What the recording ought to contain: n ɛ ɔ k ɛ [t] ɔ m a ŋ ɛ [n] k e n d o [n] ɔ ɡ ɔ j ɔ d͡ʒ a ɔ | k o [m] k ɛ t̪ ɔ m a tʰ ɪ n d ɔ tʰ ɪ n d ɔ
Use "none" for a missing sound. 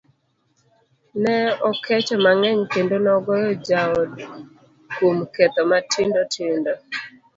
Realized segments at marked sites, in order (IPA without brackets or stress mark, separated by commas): t͡ʃ, ɲ, n, m